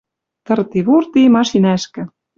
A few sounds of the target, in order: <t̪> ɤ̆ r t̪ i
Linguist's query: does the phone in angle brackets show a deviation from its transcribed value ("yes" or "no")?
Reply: no